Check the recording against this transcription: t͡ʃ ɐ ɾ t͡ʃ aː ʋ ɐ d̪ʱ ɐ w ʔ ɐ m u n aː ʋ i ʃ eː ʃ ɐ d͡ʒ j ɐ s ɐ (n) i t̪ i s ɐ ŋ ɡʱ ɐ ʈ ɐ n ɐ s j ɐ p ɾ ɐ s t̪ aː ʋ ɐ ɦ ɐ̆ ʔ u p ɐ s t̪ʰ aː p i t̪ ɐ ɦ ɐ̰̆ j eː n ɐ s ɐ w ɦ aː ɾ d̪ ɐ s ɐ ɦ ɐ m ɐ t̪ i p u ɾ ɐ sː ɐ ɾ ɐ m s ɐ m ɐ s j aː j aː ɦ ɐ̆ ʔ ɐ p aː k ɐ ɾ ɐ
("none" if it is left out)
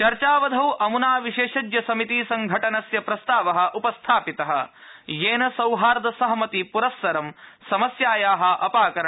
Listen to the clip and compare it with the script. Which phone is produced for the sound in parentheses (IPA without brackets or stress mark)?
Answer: m